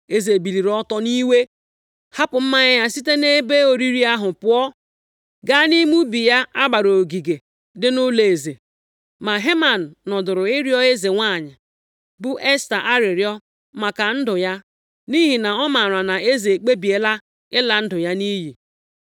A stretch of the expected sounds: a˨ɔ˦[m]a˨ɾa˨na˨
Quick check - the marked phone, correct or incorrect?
correct